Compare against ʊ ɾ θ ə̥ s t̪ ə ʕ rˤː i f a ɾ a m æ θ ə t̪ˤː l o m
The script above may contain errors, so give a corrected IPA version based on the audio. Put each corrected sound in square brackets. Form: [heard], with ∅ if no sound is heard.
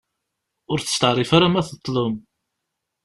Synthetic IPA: ʊ ɾ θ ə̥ s t̪ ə ʕ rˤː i f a ɾ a m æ θ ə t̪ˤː l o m